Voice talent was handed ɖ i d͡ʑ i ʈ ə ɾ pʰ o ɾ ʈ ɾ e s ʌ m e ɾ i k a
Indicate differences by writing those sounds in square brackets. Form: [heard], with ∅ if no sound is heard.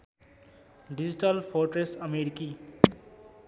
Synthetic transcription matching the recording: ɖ i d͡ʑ i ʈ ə [l] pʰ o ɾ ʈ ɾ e s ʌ m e ɾ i k [i]